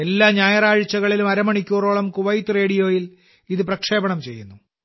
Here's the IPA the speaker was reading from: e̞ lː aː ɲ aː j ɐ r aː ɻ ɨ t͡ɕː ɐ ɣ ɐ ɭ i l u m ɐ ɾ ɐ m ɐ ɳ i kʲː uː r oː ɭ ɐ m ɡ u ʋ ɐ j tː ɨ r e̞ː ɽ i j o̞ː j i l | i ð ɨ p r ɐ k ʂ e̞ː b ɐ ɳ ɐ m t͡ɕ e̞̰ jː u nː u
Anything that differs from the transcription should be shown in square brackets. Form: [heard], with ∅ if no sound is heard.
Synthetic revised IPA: e̞ lː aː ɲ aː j ɐ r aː ɻ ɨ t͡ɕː ɐ ɣ ɐ ɭ i l u m ɐ ɾ ɐ m ɐ ɳ i kʲː uː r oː ɭ ɐ m [k] u ʋ ɐ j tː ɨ r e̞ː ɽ i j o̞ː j i l | i ð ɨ p r ɐ k ʂ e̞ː b ɐ ɳ ɐ m t͡ɕ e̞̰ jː u nː u